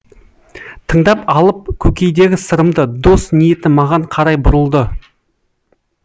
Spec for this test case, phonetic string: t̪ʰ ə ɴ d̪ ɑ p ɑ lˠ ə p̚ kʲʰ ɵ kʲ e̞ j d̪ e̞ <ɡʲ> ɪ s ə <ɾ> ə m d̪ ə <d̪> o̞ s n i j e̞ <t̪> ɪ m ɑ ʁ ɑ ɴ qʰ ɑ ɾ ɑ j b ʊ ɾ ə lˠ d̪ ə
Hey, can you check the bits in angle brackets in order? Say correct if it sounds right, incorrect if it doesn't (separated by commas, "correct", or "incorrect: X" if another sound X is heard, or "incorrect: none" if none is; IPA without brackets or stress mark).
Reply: correct, correct, correct, correct